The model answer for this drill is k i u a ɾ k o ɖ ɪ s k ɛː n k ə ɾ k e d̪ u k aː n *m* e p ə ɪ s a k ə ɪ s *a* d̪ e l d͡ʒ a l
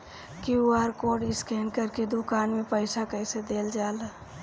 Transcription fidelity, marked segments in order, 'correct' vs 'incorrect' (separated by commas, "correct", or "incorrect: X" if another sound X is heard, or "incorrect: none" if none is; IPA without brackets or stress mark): correct, incorrect: e